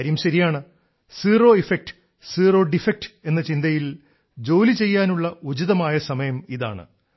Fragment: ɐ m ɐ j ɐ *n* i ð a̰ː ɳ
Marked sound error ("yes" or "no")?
yes